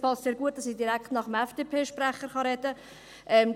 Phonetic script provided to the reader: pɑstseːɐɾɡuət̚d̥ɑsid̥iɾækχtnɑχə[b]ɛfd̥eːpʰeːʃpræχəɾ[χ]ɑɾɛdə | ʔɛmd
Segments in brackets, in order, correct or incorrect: incorrect, correct

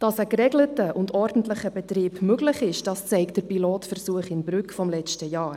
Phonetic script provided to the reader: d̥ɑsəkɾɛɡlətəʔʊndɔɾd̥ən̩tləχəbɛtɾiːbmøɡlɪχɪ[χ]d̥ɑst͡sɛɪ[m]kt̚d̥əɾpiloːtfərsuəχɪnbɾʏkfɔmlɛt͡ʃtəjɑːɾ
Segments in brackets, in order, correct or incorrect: incorrect, incorrect

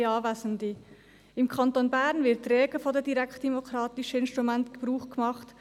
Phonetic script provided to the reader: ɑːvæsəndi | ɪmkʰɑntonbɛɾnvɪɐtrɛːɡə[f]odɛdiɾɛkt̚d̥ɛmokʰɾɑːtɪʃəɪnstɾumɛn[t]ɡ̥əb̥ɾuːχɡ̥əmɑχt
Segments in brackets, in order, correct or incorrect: correct, correct

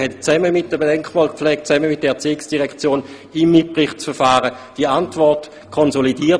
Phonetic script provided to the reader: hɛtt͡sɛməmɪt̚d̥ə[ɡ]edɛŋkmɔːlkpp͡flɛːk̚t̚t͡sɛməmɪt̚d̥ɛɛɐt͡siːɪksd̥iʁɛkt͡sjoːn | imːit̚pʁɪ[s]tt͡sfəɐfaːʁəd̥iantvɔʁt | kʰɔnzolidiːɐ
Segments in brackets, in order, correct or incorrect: incorrect, incorrect

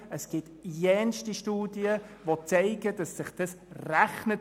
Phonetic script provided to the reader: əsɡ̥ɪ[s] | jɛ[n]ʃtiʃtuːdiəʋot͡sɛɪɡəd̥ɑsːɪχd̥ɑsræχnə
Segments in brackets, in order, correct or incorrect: incorrect, correct

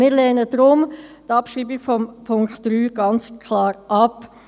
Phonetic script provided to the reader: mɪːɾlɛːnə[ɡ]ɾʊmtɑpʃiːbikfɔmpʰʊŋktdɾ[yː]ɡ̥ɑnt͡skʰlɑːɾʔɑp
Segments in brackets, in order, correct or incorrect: incorrect, correct

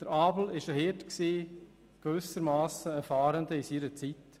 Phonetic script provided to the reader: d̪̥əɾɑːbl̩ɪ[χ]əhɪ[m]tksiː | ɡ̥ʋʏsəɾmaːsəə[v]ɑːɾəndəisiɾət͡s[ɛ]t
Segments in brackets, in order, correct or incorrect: incorrect, incorrect, incorrect, incorrect

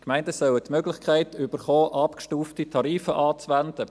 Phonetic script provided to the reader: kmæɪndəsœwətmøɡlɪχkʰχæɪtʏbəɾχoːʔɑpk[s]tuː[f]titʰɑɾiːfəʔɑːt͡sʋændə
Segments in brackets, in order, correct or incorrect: incorrect, correct

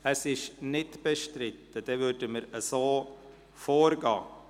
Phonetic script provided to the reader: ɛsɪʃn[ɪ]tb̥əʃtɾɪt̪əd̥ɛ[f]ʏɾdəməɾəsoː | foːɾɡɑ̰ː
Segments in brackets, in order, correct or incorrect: correct, incorrect

